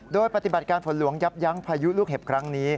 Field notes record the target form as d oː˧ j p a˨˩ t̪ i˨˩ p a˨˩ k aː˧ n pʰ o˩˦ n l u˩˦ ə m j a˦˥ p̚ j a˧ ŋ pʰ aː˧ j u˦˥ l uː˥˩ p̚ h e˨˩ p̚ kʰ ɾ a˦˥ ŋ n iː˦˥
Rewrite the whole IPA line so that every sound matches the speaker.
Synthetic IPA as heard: d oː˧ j p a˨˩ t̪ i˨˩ b a˨˩ k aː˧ n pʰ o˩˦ n l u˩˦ ə ŋ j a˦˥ p̚ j a˦˥ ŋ pʰ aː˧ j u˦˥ l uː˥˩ k̚ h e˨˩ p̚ kʰ ɾ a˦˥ ŋ n iː˦˥